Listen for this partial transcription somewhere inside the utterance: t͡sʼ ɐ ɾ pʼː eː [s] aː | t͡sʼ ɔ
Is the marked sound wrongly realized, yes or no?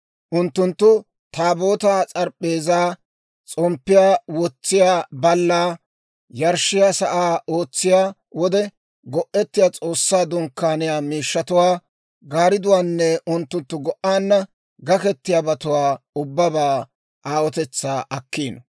yes